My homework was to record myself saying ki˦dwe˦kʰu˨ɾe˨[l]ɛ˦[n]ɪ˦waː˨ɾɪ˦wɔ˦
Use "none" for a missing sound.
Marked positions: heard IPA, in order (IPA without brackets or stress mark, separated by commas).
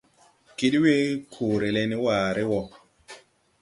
l, n